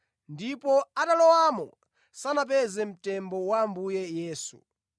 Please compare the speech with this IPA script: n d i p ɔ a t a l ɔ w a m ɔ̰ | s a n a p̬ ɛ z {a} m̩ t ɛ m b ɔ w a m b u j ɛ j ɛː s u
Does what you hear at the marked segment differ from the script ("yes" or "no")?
yes